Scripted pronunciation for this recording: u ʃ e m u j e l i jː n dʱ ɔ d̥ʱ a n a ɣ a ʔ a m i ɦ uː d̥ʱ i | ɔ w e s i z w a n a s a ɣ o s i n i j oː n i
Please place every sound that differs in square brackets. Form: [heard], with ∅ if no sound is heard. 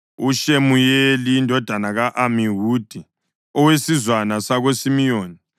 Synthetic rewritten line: u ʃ e m u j e l i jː n dʱ ɔ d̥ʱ a n a ɣ a ʔ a m i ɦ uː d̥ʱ i | ɔ w e s i z w a n a s a ɣ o s i [m] i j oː n i